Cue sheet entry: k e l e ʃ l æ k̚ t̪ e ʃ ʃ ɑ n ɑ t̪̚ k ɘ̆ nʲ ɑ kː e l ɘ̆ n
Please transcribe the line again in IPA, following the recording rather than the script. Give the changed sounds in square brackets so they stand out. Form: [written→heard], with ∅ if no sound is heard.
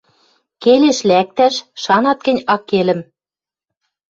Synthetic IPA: k e l e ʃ l æ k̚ t̪ [e→æ] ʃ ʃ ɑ n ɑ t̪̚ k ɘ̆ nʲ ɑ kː e l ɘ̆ [n→m]